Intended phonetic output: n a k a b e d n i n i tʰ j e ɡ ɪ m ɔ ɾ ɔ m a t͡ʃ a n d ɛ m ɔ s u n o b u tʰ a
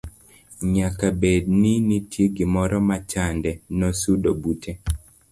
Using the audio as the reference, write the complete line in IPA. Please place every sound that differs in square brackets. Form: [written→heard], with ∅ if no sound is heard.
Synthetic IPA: [n→ɲ] a k a b e d n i n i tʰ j e ɡ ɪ m ɔ ɾ ɔ m a t͡ʃ a n d ɛ [m→n] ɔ s u [n→d] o b u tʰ [a→e]